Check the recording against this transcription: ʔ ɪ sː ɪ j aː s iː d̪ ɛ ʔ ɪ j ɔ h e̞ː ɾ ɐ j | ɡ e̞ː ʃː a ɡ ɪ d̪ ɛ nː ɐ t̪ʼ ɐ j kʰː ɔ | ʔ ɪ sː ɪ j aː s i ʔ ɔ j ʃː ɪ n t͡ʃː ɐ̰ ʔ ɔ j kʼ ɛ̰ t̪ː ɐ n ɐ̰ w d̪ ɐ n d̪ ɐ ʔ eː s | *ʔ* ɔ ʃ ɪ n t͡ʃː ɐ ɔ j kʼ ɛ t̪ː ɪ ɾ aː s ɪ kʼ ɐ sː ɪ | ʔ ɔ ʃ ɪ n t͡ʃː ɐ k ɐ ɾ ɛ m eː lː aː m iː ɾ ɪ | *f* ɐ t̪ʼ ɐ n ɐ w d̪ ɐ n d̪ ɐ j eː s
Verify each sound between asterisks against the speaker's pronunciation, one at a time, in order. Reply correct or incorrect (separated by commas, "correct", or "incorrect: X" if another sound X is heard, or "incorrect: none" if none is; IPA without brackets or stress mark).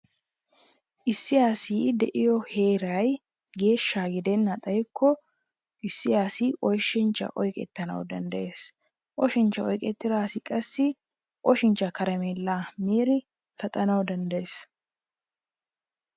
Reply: correct, correct